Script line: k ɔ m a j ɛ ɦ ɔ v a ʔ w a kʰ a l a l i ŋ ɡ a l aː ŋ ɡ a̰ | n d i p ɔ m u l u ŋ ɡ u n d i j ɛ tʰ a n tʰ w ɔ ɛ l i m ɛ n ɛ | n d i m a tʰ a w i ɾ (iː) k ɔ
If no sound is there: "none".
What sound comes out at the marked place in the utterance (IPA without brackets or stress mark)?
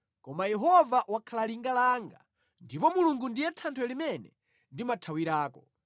aː